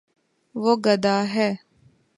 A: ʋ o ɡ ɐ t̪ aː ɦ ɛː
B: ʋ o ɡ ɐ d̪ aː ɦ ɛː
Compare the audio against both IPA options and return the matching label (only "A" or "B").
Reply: B